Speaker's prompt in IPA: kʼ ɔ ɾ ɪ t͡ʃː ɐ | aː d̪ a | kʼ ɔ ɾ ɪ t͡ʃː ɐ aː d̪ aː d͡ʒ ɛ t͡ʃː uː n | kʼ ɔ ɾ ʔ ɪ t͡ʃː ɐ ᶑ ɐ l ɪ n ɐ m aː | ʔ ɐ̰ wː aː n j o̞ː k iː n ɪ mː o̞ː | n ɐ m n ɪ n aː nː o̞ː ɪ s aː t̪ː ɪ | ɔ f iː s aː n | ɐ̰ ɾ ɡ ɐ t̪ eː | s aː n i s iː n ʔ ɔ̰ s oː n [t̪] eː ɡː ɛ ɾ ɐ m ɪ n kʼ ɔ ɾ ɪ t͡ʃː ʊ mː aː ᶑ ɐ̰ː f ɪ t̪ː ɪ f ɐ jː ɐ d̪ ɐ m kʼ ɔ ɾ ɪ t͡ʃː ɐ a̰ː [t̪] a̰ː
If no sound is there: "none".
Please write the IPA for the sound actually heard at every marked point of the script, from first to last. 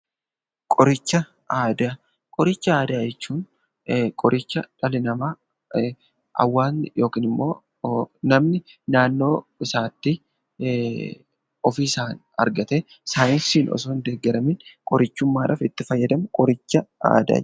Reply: d̪, d̪

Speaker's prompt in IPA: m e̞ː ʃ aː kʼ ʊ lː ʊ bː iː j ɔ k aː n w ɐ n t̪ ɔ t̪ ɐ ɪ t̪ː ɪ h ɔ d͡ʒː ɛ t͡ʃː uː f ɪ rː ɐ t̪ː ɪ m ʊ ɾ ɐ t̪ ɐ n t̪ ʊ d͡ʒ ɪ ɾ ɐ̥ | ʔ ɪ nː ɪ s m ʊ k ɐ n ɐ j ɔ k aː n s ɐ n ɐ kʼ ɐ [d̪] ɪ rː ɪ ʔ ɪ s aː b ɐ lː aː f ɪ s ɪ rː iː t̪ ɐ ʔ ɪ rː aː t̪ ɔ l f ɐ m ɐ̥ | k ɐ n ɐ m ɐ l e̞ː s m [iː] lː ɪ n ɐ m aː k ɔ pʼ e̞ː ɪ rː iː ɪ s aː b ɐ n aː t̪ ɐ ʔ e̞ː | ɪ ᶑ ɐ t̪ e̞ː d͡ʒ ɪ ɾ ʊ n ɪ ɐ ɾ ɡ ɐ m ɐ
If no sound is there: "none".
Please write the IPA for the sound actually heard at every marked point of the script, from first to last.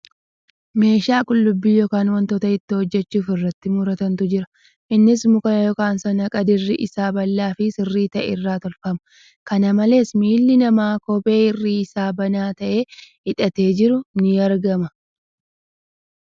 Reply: d̪, iː

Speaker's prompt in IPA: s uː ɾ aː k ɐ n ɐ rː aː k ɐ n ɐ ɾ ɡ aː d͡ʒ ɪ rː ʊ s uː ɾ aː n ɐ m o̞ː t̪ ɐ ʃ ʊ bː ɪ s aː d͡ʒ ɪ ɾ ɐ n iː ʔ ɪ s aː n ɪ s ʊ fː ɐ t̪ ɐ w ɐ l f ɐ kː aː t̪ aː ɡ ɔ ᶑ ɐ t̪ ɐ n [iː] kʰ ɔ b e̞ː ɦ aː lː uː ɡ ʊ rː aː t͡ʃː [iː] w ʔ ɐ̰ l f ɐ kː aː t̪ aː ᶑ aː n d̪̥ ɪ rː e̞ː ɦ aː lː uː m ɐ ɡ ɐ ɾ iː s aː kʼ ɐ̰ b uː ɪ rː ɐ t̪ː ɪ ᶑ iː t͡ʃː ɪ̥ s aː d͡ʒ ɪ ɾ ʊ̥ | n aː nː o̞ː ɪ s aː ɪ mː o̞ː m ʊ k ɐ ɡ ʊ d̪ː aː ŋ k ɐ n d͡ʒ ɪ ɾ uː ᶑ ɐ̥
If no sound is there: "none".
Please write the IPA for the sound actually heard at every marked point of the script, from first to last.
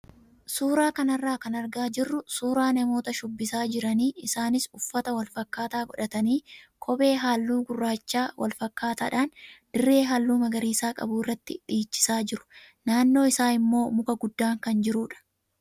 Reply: iː, aː

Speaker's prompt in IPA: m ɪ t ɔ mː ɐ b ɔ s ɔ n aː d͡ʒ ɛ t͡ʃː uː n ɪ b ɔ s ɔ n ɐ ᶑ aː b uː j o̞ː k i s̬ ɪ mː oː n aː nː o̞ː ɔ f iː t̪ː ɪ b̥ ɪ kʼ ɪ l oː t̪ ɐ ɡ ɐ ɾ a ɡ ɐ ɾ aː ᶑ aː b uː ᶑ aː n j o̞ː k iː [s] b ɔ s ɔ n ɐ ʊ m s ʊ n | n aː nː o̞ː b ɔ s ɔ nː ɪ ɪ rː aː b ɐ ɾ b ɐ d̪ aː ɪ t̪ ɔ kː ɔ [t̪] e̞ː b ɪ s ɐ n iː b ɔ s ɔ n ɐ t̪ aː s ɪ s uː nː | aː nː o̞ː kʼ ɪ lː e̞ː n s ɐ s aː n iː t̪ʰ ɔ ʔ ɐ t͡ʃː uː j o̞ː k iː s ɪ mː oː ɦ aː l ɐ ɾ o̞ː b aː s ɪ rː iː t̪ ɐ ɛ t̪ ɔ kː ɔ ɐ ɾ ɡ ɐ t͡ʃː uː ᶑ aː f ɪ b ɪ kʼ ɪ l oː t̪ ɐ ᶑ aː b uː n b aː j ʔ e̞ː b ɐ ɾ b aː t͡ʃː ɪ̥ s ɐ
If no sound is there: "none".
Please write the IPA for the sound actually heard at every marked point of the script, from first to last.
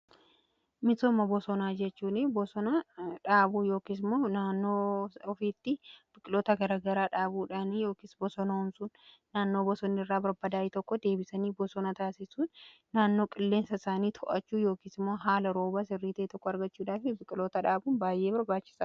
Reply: s, d̪

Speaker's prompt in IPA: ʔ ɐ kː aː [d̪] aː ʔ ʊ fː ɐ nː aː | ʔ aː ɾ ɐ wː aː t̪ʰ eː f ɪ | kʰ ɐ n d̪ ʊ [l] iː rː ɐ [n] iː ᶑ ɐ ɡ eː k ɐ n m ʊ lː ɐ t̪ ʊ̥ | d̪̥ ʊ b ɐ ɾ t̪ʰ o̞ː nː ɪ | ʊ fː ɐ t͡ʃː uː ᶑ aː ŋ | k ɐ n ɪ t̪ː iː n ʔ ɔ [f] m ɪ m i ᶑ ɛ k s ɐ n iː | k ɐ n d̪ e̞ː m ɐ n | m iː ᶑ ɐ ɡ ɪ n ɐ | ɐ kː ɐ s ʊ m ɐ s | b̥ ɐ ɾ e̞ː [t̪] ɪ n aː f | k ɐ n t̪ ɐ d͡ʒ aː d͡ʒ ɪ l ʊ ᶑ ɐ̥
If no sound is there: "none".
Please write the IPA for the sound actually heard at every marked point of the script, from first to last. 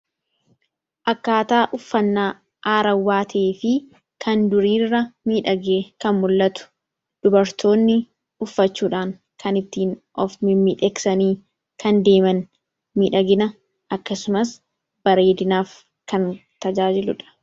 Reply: t̪, ɾ, m, f, d̪

